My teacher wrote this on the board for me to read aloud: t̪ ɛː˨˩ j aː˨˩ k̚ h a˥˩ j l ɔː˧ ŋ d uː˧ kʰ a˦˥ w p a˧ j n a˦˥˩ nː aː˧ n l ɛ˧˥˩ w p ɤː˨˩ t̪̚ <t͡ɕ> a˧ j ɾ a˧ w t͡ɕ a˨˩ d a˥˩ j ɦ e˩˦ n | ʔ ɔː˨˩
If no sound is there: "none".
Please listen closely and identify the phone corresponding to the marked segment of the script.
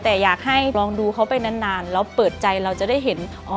t͡ɕ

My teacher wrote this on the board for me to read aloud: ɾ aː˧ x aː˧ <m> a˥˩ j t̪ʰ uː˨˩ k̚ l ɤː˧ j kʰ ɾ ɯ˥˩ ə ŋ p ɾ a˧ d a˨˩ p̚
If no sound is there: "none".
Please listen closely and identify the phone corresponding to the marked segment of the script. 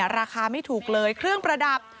m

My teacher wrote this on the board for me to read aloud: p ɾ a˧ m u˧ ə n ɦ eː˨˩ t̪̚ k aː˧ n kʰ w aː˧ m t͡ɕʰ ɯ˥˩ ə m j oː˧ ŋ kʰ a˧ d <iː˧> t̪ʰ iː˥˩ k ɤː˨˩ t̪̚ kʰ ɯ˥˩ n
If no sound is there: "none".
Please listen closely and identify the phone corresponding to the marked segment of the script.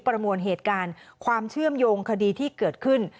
iː˧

